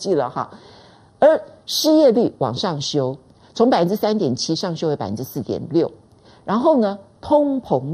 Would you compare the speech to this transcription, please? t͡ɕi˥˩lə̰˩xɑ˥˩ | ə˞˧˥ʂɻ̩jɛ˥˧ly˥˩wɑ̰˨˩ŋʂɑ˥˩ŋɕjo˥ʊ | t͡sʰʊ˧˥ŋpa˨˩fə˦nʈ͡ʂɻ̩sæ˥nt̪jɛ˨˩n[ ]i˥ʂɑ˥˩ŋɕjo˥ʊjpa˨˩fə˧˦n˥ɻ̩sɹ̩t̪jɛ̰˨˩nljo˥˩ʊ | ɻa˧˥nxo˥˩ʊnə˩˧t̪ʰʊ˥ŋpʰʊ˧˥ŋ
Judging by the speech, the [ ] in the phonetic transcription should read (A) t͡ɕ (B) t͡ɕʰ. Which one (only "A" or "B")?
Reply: B